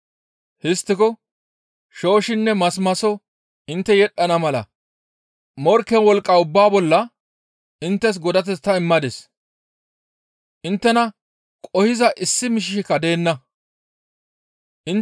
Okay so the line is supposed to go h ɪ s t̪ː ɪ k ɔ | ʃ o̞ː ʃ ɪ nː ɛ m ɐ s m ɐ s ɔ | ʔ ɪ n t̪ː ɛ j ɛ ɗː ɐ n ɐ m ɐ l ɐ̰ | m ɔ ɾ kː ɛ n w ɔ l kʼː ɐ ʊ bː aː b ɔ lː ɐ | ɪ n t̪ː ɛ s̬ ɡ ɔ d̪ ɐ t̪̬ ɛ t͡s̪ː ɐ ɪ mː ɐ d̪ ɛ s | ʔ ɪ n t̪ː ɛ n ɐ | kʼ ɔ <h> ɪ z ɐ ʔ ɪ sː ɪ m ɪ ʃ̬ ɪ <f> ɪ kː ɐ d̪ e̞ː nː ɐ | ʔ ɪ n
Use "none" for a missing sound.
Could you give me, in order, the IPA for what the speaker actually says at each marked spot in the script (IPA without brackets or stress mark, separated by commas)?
h, ʃ